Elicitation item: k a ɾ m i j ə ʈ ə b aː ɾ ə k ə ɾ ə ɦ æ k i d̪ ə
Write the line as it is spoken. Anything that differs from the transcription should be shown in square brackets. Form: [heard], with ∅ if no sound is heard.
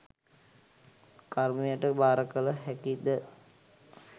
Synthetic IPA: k a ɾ m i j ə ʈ ə b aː ɾ ə k ə [l] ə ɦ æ k i d̪ ə